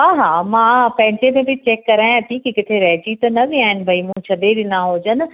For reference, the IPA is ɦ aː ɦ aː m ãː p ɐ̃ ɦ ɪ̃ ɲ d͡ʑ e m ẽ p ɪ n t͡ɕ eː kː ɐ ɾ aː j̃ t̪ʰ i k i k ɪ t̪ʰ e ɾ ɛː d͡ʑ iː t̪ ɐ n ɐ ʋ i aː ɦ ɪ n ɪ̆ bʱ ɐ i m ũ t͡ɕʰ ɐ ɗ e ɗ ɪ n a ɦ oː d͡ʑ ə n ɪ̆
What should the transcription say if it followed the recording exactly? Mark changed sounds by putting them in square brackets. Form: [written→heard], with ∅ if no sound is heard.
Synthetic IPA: ɦ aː ɦ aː m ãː p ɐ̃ ɦ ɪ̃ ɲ d͡ʑ e m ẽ [p→b] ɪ [n→∅] t͡ɕ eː kː ɐ ɾ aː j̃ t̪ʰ i k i k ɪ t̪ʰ e ɾ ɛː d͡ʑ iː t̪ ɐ n ɐ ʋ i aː ɦ ɪ n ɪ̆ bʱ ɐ i m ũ t͡ɕʰ ɐ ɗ e ɗ ɪ n a ɦ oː d͡ʑ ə n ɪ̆

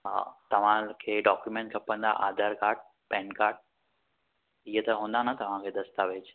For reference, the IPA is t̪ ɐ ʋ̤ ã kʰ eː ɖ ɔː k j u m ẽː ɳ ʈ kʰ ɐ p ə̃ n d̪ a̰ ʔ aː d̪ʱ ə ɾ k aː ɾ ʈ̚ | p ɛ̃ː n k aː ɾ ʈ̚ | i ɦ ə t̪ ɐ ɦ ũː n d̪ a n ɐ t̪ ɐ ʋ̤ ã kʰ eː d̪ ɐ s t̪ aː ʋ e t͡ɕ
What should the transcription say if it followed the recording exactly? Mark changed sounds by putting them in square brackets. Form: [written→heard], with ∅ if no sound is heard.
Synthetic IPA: t̪ ɐ ʋ̤ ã kʰ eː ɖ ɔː k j u m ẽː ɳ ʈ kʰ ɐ p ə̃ n d̪ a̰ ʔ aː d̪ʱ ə ɾ k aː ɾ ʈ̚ | p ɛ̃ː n k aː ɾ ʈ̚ | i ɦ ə t̪ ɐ ɦ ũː n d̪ a n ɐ t̪ ɐ ʋ̤ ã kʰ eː d̪ ɐ s t̪ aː ʋ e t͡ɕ

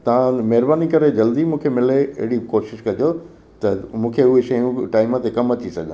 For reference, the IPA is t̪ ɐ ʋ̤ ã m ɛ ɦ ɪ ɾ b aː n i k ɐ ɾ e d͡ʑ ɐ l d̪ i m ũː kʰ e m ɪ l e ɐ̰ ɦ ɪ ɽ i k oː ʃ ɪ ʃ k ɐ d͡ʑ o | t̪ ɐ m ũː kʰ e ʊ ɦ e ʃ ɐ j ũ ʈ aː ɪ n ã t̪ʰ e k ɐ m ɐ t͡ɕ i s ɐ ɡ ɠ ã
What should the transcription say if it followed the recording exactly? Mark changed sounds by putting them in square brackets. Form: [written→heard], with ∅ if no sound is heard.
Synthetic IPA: t̪ ɐ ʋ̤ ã m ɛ ɦ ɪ ɾ b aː n i k ɐ ɾ e d͡ʑ ɐ l d̪ i m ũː kʰ e m ɪ l e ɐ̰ ɦ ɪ ɽ i k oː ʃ ɪ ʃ k ɐ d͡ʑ o | t̪ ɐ m ũː kʰ e ʊ ɦ e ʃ ɐ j ũ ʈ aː ɪ [n→m] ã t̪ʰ e k ɐ m ɐ t͡ɕ i s ɐ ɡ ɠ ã

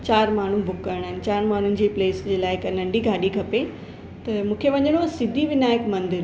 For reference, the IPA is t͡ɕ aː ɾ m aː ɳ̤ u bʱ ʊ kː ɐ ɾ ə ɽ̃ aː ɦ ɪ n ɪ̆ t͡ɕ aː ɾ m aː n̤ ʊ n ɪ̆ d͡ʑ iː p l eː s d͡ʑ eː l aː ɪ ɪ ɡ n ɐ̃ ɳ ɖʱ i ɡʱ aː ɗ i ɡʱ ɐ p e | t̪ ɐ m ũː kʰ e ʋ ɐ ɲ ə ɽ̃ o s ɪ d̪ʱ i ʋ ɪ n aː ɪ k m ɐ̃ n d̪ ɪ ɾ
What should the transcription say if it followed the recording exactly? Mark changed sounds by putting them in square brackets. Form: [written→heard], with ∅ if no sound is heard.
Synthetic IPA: t͡ɕ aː ɾ m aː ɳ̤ u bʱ ʊ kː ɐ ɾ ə ɽ̃ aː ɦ ɪ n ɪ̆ t͡ɕ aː ɾ m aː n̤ ʊ n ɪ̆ d͡ʑ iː p l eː s d͡ʑ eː l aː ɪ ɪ [ɡ→k] n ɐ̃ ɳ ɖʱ i ɡʱ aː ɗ i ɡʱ ɐ p e | t̪ ɐ m ũː kʰ e ʋ ɐ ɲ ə ɽ̃ o s ɪ d̪ʱ i ʋ ɪ n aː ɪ k m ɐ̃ n d̪ ɪ ɾ

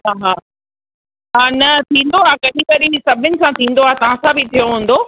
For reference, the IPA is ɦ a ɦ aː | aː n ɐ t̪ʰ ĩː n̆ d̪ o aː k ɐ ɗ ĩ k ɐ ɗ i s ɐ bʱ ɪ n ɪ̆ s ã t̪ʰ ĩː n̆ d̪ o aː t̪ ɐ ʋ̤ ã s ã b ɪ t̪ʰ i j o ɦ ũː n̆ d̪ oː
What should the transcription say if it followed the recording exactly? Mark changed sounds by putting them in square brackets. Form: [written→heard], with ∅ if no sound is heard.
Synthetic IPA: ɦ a ɦ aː | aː n ɐ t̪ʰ ĩː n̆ d̪ o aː k ɐ ɗ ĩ k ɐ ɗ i s ɐ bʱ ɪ n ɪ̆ s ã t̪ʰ ĩː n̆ d̪ o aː t̪ ɐ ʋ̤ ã s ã b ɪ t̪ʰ i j o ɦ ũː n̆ d̪ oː

